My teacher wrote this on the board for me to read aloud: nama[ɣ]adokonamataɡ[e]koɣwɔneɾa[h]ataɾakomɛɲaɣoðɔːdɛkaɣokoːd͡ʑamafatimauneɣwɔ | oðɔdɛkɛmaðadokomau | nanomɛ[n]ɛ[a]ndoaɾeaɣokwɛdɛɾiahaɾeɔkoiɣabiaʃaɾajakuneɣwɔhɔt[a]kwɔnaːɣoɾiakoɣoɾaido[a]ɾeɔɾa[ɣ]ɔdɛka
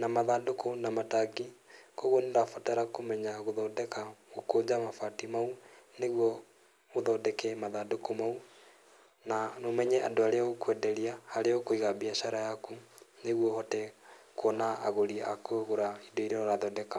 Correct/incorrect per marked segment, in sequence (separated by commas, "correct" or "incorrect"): incorrect, incorrect, incorrect, incorrect, correct, incorrect, incorrect, incorrect